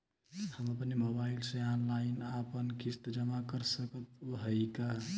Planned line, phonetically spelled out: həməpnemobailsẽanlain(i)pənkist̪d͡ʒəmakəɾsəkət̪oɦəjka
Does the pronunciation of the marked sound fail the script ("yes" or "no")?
yes